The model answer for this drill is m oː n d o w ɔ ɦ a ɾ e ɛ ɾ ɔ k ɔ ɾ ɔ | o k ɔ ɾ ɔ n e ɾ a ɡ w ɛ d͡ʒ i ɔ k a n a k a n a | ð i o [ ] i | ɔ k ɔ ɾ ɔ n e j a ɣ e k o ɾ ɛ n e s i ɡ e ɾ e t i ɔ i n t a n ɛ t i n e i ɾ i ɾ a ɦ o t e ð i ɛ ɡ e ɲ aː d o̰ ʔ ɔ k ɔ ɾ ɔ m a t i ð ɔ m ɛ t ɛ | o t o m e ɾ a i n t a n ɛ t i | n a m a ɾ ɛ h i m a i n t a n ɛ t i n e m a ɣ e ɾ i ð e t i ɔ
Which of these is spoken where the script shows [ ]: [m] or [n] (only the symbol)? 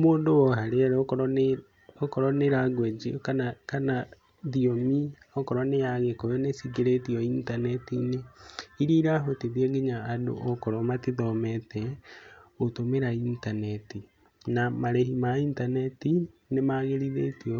m